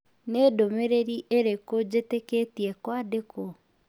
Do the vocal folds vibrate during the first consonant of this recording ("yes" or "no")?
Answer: yes